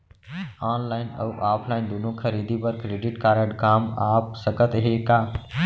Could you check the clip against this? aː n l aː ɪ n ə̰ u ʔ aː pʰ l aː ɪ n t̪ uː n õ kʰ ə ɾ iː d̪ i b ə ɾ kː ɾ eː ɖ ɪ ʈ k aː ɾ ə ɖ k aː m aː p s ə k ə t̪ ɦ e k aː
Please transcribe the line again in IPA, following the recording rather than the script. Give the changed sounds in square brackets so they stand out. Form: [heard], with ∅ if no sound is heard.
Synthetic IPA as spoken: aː n l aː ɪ n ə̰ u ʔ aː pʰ l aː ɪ n [d̪] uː n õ kʰ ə ɾ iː d̪ i b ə ɾ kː ɾ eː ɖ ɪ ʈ k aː ɾ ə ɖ k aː m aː p s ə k ə t̪ ɦ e k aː